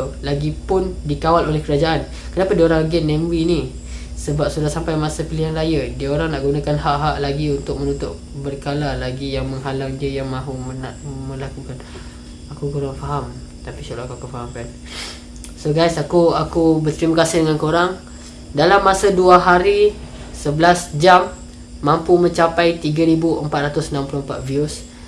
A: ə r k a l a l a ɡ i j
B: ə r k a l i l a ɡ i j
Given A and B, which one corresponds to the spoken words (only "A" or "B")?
A